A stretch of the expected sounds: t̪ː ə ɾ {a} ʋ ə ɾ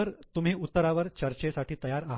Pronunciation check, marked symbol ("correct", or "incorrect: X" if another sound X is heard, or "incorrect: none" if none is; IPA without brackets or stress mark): correct